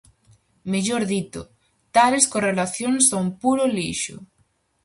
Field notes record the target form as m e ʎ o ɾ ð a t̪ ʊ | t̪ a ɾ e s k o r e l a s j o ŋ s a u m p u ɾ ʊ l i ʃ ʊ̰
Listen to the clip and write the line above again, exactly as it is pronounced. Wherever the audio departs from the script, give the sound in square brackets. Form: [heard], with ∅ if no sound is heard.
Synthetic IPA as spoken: m e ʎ o ɾ ð [i] t̪ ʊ | t̪ a [l] e s k o r e l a [θ] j o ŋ s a u m p u ɾ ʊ l i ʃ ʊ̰